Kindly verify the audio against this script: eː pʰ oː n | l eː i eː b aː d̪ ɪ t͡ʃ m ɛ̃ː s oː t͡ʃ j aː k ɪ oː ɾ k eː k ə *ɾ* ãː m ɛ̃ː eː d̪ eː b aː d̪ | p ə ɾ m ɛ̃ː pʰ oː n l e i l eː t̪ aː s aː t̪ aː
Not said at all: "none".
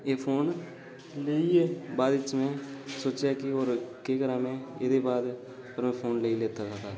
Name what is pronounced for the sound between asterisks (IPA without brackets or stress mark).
ɾ